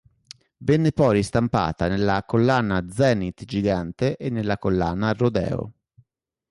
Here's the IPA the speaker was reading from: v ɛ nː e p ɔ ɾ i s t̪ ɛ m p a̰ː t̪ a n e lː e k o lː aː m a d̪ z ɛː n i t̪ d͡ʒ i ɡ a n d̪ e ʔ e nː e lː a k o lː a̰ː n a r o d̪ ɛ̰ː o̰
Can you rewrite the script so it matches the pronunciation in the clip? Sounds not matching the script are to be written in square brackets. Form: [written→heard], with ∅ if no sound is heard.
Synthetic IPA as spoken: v ɛ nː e p ɔ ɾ i s t̪ [ɛ→a] m p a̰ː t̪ a n e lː [e→a] k o lː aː [m→n] a d̪ z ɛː n i t̪ d͡ʒ i ɡ a n [d̪→t̪] e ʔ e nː e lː a k o lː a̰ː n a r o d̪ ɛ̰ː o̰